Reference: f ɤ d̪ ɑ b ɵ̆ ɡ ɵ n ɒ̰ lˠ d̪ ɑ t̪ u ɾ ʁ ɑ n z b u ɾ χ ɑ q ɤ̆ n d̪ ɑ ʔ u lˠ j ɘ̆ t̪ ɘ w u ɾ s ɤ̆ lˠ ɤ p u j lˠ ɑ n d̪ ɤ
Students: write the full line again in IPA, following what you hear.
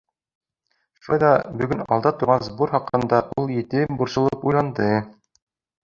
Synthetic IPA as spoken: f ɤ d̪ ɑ b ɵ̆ ɡ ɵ n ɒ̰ lˠ d̪ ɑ t̪ u ɾ ʁ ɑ n z b u ɾ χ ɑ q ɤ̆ n d̪ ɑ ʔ u lˠ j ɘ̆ t̪ ɘ b u ɾ s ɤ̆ lˠ ɤ p u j lˠ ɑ n d̪ ɤ